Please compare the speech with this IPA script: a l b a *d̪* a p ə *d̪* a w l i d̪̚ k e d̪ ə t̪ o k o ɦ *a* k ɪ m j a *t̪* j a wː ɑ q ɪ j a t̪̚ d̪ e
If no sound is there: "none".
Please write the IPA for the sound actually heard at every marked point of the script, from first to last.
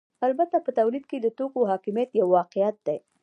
t̪, t̪, ɑ, t̪

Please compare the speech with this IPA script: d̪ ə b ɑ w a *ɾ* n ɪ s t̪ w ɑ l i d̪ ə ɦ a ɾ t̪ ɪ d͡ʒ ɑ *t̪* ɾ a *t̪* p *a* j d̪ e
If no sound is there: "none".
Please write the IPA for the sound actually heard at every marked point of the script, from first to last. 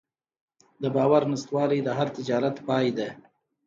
ɾ, none, t̪, ɑ

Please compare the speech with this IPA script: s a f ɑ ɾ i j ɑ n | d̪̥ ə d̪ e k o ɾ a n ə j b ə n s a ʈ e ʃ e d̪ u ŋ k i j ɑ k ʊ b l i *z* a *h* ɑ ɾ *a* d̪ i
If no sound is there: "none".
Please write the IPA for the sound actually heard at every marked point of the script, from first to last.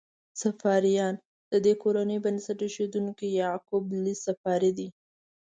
s, f, i

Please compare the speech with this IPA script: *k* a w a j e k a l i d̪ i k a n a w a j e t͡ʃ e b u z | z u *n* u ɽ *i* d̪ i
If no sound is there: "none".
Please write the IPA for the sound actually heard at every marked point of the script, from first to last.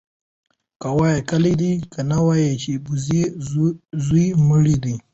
k, m, i

